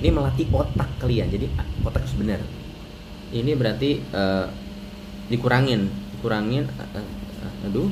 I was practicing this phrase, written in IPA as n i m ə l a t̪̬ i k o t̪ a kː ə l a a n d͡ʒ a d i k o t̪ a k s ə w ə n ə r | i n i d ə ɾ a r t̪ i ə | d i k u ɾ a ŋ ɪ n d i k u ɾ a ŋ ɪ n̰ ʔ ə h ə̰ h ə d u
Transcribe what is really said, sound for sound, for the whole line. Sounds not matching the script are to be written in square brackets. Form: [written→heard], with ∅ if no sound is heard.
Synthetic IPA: n i m ə l a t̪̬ i k o t̪ a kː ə l [a→i] a n d͡ʒ a d i k o t̪ a k s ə [w→b] ə n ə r | i n i [d→b] ə ɾ a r t̪ i ə | d i k u ɾ a ŋ ɪ n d i k u ɾ a ŋ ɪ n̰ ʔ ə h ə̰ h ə d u